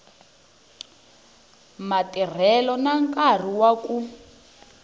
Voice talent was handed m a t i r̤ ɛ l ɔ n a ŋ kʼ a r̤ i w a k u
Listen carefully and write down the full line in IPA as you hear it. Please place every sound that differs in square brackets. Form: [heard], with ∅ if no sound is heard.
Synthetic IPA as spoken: m a t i r̤ ɛ l ɔ n a ŋ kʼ a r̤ i w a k u